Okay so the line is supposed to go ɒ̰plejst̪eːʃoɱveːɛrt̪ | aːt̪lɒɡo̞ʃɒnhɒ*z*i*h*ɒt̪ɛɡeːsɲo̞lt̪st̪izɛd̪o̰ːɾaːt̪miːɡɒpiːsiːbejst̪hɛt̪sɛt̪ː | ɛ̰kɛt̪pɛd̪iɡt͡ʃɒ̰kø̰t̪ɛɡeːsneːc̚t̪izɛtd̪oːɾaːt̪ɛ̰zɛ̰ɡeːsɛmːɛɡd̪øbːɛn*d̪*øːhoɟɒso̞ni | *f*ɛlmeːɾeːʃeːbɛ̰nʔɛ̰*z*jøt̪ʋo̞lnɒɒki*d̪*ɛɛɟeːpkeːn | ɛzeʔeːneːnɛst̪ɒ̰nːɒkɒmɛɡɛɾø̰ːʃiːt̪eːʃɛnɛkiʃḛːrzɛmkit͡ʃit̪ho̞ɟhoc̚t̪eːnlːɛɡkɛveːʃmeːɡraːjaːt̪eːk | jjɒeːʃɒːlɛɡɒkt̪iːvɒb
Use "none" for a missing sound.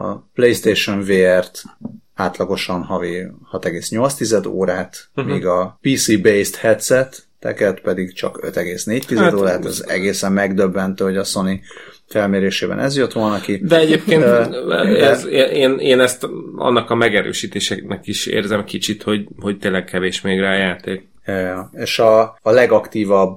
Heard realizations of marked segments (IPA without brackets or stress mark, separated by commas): v, h, t̪, f, z, d̪